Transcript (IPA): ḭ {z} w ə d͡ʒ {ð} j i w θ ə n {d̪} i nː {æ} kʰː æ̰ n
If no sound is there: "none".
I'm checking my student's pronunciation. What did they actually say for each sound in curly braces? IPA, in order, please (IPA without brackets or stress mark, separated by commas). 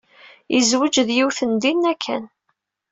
z, ð, d̪, æ